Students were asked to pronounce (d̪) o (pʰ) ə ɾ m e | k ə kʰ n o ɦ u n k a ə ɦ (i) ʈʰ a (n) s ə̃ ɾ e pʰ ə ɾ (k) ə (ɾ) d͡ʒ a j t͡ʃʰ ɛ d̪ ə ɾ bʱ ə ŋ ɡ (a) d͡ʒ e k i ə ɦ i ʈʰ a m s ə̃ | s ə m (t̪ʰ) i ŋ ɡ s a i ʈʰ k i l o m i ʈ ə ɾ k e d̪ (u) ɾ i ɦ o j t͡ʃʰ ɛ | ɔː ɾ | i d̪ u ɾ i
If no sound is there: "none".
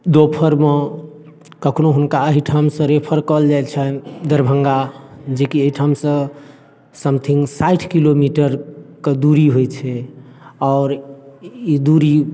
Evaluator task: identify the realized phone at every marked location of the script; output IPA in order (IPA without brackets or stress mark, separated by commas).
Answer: d̪, pʰ, i, m, k, l, a, t̪ʰ, u